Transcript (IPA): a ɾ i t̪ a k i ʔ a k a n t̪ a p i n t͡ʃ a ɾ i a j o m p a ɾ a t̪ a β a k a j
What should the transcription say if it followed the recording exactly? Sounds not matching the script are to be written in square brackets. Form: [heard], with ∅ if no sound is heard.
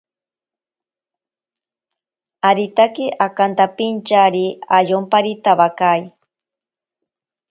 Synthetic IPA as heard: a ɾ i t̪ a k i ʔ a k a n t̪ a p i n t͡ʃ a ɾ i a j o m p a ɾ [i] t̪ a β a k a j